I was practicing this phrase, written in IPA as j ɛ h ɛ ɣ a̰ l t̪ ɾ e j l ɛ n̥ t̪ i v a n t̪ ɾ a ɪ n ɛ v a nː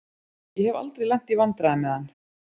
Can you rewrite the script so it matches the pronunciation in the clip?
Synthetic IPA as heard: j ɛ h ɛ v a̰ l t̪ ɾ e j l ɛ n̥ t̪ i v a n t̪ ɾ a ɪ m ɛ ð a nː